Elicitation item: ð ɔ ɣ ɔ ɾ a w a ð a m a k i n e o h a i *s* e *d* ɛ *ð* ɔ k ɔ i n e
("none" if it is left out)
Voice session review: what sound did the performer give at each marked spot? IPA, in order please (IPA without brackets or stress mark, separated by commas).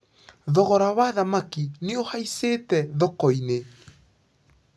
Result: s, t, ð